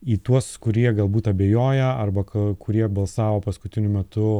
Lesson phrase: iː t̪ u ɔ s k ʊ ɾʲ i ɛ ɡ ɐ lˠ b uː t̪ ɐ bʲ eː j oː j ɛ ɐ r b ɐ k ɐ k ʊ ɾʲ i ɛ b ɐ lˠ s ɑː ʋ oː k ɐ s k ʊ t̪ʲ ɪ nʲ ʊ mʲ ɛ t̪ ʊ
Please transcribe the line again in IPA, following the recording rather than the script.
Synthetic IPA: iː t̪ u ɔ s k ʊ ɾʲ i ɛ ɡ ɐ lˠ b uː t̪ ɐ bʲ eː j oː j ɛ ɐ r b ɐ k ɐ k ʊ ɾʲ i ɛ b ɐ lˠ s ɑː ʋ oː p ɐ s k ʊ t̪ʲ ɪ nʲ ʊ mʲ ɛ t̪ ʊ